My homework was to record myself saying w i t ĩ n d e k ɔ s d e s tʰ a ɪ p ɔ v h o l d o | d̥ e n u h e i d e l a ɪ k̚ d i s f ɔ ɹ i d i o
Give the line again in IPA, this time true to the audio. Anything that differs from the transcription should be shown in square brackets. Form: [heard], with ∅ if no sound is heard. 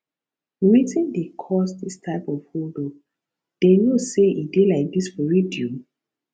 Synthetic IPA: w i t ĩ n d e [kʰ] ɔ s d [i] s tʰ a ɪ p ɔ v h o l d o | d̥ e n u [s] e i d e l a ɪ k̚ d i s f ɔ ɹ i d i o